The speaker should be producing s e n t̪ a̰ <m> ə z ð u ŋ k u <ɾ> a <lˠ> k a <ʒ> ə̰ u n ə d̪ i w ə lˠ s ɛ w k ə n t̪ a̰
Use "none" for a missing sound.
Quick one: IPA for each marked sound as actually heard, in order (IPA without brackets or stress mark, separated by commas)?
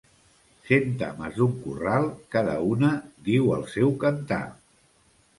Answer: m, r, lˠ, ð